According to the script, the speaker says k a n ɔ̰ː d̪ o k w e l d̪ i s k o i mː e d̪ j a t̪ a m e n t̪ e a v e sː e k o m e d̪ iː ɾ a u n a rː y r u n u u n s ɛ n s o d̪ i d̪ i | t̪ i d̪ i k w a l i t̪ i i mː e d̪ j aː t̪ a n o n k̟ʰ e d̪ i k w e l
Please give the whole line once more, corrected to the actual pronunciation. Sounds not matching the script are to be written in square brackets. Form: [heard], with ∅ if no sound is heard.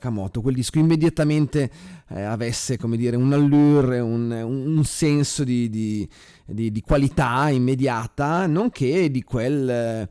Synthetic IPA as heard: k a [m] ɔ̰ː [t̪] o k w e l d̪ i s k o i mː e d̪ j a t̪ a m e n t̪ e a v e sː e k o m e d̪ iː ɾ [e] u n a [lː] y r u n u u n s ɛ n s o d̪ i d̪ i | [d̪] i d̪ i k w a l i t̪ [a] i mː e d̪ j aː t̪ a n o [ŋ] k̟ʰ e d̪ i k w e l